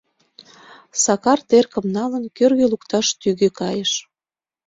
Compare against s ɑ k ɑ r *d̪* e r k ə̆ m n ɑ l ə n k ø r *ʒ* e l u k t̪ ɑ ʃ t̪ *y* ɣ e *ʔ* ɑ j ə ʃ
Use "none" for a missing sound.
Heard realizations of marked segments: t̪, ɣ, y, k

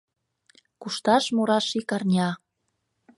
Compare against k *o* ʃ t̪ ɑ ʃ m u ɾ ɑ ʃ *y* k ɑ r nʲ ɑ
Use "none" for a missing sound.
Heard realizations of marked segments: u, i

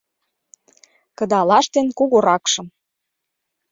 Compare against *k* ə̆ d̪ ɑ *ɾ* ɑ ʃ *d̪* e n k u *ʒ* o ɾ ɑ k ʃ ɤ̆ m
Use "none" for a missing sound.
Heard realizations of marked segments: k, l, t̪, ɣ

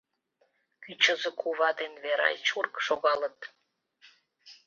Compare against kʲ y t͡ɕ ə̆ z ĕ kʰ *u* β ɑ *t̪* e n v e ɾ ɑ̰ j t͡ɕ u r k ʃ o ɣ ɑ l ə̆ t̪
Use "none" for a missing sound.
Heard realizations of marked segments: u, d̪

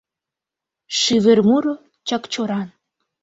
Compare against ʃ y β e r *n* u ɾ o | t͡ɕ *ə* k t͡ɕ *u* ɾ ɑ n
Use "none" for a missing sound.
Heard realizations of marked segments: m, ɑ, o

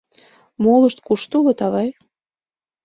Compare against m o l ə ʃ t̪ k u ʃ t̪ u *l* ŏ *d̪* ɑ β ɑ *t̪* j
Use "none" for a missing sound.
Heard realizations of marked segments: l, t̪, none

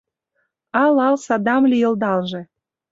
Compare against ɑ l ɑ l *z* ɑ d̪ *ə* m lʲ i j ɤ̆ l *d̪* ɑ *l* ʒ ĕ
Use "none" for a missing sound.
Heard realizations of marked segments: s, ɑ, d̪, l

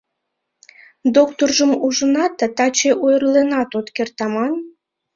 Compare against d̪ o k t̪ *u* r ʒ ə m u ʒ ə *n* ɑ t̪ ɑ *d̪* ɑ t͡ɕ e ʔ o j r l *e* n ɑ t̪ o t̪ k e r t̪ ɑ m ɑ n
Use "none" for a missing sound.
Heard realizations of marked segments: o, n, t̪, e

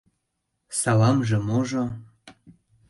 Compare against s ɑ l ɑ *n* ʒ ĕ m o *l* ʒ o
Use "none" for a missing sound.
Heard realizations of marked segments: m, none

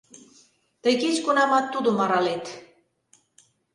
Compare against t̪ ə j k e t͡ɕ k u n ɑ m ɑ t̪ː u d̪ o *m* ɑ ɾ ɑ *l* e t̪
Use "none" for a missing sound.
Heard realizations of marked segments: m, l

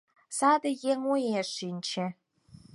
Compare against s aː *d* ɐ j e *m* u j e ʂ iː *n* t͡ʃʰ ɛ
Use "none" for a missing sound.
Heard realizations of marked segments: d, ŋ, n

